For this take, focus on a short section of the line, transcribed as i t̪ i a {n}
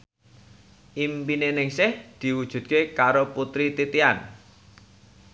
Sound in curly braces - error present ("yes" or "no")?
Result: no